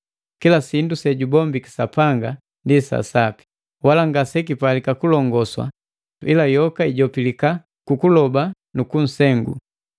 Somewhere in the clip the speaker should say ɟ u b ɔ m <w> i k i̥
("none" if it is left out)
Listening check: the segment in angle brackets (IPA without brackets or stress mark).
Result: b